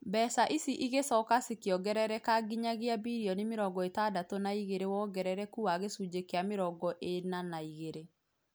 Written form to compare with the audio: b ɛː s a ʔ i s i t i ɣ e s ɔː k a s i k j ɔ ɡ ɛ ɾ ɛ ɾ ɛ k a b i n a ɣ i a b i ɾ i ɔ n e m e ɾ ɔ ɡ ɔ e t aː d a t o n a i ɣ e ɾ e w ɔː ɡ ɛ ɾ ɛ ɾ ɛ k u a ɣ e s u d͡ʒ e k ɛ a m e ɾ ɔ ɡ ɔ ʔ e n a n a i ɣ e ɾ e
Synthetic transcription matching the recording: b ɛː s a ʔ i s i ʔ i ɣ e s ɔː k a s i k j ɔ ɡ ɛ ɾ ɛ ɾ ɛ k a ɡ i ɲ a ɣ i a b i ɾ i ɔ n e m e ɾ ɔ ɡ ɔ e t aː d a t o n a i ɣ e ɾ e w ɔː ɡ ɛ ɾ ɛ ɾ ɛ k u a ɣ e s u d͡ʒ e k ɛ a m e ɾ ɔ ɡ ɔ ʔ e n a n a i ɣ e ɾ e